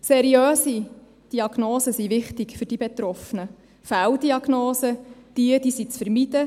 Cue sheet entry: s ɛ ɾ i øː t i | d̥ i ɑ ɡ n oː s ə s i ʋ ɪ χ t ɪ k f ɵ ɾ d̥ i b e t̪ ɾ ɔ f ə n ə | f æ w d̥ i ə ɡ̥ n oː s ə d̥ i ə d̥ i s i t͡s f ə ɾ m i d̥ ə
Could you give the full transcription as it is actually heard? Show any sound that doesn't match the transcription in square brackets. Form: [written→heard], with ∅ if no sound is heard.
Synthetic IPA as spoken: s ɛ ɾ i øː [t→s] i | d̥ i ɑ ɡ n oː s ə s i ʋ ɪ χ t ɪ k f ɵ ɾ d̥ i b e t̪ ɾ ɔ f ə n ə | f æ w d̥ i [ə→ɑ] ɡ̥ n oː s ə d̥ i ə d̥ i s i t͡s f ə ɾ m i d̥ ə